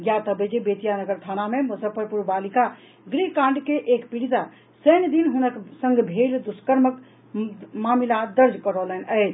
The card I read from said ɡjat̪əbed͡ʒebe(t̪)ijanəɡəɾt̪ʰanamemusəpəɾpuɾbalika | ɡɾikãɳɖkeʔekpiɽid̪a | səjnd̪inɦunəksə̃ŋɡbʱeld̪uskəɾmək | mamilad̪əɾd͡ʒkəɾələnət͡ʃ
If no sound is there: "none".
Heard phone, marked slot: t̪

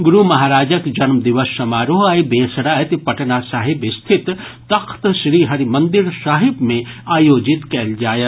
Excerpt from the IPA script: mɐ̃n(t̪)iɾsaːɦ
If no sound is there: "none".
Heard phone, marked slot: d̪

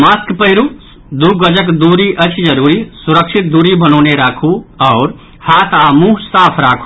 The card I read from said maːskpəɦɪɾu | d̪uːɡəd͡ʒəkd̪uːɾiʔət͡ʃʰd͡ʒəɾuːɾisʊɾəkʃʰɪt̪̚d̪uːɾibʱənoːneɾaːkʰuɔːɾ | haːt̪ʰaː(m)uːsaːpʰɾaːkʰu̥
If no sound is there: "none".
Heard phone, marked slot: m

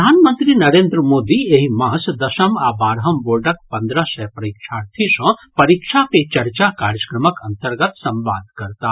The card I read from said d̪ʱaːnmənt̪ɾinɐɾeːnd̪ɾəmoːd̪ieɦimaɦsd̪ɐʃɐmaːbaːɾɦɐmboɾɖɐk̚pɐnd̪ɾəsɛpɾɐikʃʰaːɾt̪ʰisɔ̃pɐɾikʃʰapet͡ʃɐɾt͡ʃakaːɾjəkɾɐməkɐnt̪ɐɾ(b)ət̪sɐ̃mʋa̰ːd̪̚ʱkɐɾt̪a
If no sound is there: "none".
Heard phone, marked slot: ɡ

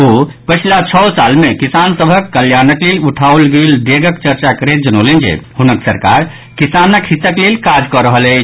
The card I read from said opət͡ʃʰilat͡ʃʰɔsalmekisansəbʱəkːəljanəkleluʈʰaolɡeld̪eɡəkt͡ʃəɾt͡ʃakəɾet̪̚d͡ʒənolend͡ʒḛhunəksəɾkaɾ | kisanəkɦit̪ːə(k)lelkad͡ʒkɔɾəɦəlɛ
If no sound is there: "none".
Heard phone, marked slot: k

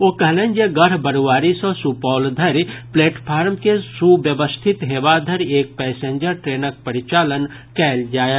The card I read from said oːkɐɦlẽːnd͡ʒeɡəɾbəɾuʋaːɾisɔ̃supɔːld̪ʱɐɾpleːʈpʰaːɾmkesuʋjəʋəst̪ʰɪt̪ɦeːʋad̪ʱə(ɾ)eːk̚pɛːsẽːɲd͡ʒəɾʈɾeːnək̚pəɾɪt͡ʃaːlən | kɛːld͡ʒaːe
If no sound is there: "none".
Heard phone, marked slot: ɾ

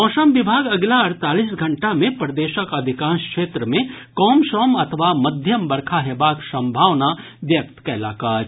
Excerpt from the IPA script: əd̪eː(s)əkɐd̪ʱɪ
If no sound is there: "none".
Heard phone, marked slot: ʃ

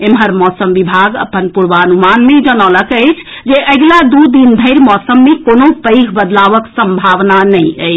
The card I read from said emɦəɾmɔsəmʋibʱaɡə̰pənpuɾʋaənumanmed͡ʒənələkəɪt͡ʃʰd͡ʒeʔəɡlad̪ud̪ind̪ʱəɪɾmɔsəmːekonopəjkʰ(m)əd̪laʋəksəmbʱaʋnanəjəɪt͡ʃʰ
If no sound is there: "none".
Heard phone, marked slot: b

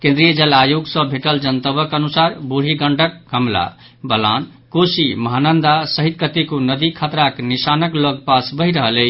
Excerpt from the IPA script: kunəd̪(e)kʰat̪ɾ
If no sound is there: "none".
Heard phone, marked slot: i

